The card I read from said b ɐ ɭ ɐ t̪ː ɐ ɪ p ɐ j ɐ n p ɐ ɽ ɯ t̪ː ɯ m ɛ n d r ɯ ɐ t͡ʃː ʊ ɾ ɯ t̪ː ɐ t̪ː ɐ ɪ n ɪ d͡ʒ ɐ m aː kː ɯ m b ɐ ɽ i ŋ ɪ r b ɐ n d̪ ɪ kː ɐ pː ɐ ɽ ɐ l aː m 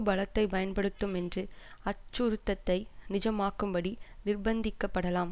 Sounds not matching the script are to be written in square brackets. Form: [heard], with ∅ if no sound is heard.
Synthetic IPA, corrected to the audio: b ɐ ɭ ɐ t̪ː ɐ ɪ p ɐ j ɐ n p ɐ ɽ ɯ t̪ː ɯ m ɛ n d r ɯ ɐ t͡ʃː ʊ ɾ ɯ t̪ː ɐ t̪ː ɐ ɪ n ɪ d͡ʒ ɐ m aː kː ɯ m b ɐ ɽ i [n] ɪ r b ɐ n d̪ ɪ kː ɐ pː ɐ ɽ ɐ l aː m